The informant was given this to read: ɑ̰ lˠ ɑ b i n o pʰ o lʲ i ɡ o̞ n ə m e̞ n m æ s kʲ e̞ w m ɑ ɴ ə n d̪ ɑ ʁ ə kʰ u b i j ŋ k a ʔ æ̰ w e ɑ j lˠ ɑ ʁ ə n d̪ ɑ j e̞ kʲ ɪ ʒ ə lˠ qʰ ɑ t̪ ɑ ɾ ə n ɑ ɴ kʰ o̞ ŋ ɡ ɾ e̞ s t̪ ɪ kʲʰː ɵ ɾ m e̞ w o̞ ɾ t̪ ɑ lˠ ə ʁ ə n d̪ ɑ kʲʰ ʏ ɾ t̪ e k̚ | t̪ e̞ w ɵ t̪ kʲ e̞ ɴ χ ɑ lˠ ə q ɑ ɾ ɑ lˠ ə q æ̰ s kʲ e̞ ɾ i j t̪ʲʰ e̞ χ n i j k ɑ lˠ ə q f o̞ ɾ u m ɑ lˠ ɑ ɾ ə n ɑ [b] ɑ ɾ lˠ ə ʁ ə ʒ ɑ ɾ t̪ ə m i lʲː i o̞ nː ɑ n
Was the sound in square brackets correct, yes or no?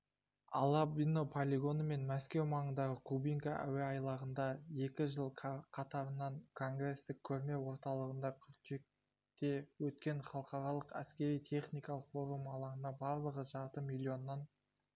yes